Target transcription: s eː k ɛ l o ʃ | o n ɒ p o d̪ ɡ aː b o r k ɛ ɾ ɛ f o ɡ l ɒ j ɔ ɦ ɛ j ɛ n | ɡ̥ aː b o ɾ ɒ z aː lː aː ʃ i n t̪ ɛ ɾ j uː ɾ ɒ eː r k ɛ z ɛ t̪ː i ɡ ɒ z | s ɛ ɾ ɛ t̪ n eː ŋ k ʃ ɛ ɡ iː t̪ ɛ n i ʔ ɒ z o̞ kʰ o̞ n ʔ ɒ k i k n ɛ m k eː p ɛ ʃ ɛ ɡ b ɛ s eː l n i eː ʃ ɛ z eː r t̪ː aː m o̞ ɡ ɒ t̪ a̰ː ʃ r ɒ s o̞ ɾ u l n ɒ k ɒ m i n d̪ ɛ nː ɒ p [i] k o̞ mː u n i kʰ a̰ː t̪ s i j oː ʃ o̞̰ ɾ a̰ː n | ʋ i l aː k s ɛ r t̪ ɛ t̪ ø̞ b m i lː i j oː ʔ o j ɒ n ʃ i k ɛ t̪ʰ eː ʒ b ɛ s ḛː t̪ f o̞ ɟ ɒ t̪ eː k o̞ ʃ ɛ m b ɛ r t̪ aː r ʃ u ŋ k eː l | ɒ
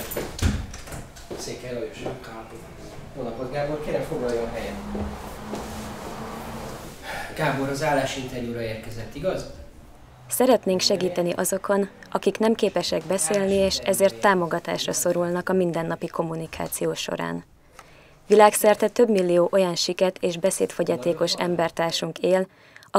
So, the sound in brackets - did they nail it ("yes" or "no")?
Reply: yes